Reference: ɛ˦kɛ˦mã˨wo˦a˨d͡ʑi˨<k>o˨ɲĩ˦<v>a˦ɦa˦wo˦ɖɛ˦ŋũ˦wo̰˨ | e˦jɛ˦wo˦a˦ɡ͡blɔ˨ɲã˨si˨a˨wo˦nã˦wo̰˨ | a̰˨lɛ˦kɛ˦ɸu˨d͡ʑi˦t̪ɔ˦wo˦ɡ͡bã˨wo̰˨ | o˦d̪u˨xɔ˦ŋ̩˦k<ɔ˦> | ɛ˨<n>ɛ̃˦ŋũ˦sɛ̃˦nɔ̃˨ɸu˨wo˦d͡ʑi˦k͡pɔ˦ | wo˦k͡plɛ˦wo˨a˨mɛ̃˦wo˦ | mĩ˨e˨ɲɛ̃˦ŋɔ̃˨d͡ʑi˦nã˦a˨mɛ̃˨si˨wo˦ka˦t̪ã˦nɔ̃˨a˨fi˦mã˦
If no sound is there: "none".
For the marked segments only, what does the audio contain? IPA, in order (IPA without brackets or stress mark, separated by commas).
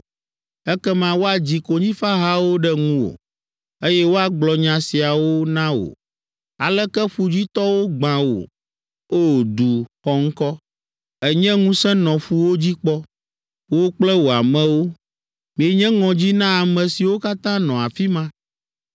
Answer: k, f, ɔ˦, ɲ